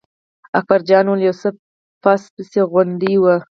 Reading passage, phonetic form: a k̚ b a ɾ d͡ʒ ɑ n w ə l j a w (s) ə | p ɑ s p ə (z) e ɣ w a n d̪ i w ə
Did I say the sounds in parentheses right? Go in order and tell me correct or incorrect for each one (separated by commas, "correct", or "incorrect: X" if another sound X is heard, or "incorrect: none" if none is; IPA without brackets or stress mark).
correct, incorrect: s